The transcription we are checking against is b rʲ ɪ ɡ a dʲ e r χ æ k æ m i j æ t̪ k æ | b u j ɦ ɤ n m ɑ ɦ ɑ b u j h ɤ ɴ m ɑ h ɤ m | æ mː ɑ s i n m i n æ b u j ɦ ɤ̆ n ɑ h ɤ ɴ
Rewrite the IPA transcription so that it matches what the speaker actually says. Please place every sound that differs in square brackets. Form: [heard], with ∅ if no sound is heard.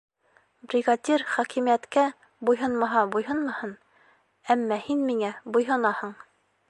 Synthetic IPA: b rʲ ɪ ɡ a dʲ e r χ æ k [i] m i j æ t̪ k æ | b u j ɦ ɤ n m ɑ ɦ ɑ b u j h ɤ [n] m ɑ h ɤ [n] | æ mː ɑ [h] i n m i [ŋ] æ b u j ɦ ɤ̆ n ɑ h ɤ ɴ